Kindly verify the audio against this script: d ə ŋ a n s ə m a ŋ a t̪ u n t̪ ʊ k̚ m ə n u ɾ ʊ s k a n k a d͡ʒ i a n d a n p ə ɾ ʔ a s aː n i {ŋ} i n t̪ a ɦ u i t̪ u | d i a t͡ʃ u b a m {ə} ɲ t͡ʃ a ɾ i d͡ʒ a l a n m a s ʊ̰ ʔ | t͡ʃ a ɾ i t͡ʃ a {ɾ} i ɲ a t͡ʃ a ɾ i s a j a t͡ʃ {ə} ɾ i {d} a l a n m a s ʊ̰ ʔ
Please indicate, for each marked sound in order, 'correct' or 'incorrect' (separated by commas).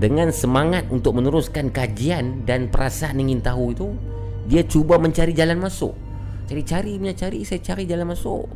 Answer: correct, correct, correct, incorrect, incorrect